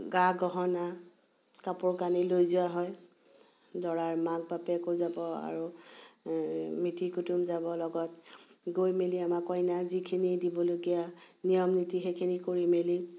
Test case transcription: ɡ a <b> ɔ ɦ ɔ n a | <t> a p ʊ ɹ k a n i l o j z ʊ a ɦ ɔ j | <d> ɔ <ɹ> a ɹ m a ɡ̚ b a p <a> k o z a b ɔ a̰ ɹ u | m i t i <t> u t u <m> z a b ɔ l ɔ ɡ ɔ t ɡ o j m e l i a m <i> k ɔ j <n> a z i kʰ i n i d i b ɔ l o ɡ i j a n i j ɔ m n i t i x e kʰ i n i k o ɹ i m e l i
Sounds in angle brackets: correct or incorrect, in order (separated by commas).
incorrect, incorrect, correct, correct, incorrect, incorrect, correct, incorrect, correct